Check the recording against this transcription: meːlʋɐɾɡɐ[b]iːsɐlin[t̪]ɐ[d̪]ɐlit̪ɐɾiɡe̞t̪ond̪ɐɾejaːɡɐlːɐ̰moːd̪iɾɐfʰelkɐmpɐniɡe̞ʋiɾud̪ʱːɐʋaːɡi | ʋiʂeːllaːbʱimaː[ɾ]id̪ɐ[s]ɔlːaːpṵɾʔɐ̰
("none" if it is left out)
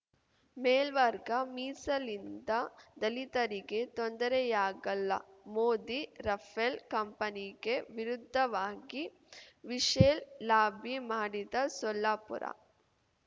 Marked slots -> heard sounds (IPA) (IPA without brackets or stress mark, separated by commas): m, d̪, d̪, ɽ, s